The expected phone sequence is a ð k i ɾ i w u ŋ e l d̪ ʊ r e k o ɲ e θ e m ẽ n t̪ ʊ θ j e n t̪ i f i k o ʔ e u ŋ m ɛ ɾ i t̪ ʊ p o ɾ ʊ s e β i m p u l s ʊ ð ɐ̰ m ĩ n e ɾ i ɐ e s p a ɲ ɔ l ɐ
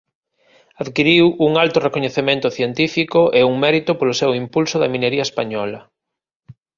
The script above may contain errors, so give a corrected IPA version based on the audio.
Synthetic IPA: a ð k i ɾ i w u ŋ a l t̪ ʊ r e k o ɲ e θ e m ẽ n t̪ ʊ θ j e n t̪ i f i k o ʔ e u ŋ m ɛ ɾ i t̪ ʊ p o l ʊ s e w i m p u l s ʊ ð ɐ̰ m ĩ n e ɾ i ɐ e s p a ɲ ɔ l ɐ